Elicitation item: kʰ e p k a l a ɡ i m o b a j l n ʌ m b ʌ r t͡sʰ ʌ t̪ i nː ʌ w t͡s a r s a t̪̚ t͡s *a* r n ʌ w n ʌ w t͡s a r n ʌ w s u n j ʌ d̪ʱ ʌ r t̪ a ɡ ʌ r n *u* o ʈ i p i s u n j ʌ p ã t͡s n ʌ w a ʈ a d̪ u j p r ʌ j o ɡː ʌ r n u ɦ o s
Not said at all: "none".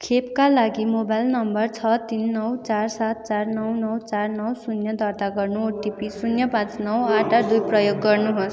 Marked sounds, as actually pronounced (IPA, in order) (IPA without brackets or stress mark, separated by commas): a, u